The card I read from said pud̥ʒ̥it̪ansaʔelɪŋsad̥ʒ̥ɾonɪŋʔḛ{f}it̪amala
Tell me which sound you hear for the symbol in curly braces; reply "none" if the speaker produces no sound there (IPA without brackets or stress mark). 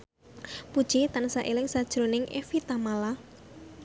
f